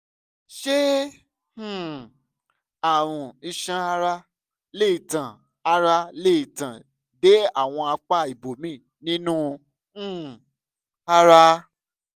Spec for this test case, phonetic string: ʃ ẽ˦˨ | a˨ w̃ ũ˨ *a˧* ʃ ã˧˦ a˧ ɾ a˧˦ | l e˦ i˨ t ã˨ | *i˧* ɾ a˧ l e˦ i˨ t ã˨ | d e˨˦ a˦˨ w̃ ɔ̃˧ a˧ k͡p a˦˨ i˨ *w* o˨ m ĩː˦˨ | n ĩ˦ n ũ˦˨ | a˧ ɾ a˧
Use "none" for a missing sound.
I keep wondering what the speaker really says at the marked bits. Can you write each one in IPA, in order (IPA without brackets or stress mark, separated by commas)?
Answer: i˧, a˧, b